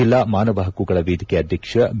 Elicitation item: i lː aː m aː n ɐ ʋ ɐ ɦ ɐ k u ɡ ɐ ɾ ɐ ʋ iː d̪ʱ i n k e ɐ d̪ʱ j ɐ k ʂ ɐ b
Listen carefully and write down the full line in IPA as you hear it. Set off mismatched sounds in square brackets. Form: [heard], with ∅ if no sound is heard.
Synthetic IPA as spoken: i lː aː m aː n ɐ ʋ ɐ ɦ ɐ k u ɡ ɐ [ɭ] ɐ ʋ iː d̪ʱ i [∅] k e ɐ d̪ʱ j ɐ k ʂ ɐ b